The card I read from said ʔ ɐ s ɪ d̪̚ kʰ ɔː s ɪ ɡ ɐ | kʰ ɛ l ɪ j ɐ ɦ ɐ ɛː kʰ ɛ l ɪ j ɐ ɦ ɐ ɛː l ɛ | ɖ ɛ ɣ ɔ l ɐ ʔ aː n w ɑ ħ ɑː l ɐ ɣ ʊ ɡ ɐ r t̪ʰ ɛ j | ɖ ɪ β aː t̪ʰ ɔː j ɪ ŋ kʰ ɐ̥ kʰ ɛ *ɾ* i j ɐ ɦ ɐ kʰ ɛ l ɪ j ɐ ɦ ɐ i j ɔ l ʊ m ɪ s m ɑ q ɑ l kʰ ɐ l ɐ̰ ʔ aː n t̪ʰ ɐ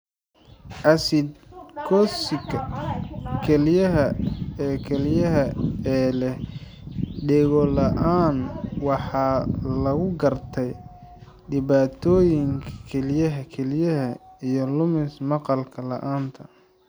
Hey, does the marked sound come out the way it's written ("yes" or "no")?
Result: no